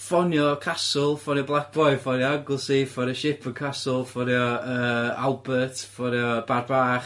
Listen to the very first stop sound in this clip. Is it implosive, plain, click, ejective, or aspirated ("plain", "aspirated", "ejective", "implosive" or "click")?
aspirated